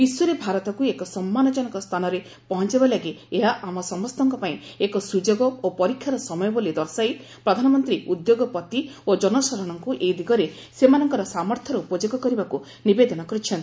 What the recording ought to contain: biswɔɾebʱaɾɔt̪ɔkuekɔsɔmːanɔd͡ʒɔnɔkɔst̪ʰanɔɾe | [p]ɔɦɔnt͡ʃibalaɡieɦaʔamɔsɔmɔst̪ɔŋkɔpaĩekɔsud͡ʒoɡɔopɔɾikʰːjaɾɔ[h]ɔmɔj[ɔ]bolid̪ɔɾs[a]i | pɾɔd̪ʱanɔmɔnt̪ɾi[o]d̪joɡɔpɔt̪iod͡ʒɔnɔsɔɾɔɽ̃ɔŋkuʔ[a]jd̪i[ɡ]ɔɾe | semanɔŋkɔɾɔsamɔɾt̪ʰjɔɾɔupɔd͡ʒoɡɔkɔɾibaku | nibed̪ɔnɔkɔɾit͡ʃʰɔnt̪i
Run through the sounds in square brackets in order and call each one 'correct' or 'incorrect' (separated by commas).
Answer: correct, incorrect, correct, correct, incorrect, incorrect, correct